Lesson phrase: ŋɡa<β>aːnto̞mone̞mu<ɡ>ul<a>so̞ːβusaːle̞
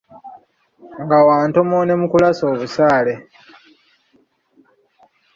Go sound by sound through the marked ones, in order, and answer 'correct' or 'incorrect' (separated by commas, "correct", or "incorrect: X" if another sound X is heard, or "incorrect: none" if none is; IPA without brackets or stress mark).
incorrect: w, incorrect: k, correct